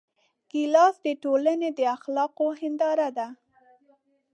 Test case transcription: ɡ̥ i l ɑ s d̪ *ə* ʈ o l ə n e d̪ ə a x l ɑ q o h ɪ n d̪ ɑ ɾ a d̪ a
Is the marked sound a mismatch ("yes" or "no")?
no